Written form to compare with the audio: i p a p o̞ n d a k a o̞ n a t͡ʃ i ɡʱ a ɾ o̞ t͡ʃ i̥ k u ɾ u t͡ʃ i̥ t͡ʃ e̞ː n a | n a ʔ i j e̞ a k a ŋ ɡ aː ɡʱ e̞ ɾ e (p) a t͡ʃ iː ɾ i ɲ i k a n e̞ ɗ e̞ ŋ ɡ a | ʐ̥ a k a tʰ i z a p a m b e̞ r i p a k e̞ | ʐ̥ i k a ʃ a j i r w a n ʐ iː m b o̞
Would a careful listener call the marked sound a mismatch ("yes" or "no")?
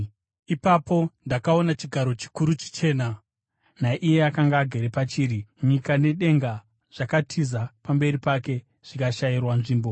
no